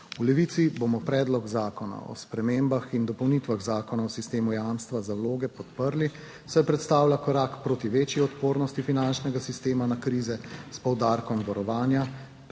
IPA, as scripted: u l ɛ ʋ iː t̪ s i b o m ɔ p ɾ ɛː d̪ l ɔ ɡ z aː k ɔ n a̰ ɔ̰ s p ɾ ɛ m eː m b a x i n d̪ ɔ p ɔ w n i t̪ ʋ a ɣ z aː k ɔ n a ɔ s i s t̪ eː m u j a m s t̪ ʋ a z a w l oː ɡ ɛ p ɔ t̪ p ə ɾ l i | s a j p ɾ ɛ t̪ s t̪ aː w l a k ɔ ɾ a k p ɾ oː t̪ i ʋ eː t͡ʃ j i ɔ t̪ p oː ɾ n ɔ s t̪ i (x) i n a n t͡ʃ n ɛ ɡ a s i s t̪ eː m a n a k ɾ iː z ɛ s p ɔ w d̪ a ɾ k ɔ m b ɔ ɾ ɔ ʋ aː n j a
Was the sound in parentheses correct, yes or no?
no